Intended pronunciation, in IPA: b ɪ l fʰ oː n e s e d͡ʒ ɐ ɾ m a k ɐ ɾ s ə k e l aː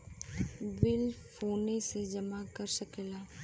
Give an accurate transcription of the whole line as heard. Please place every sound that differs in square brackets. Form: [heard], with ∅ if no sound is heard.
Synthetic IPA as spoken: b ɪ l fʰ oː n e s e d͡ʒ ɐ [∅] m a k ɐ ɾ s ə k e l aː